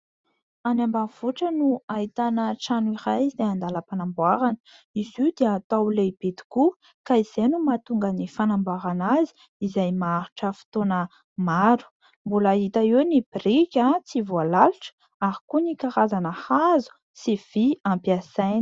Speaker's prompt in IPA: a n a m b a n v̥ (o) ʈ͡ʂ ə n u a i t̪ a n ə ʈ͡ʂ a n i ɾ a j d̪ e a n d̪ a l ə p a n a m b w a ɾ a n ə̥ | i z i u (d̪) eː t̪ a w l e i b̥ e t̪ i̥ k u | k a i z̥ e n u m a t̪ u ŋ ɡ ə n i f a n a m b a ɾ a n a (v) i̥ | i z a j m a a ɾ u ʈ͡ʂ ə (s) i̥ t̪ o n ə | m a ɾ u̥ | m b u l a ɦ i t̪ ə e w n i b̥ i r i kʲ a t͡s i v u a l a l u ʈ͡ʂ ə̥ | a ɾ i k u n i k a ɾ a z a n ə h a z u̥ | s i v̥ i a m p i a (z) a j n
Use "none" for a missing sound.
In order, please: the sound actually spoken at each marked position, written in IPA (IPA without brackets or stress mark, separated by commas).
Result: u, d̪, z, f, s